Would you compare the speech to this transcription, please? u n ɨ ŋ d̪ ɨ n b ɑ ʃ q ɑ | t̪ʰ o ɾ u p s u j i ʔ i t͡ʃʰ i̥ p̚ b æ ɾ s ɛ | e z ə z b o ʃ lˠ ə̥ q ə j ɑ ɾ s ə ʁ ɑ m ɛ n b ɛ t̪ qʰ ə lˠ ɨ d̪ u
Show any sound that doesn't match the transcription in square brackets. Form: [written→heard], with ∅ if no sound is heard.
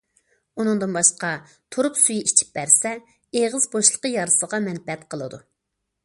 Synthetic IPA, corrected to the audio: u n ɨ ŋ d̪ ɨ n b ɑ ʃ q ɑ | t̪ʰ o ɾ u p s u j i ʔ i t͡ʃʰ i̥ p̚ b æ ɾ s ɛ | e [z→ʁ] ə z b o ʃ lˠ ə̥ q ə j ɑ ɾ s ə ʁ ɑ m ɛ n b ɛ t̪ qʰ ə lˠ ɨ d̪ u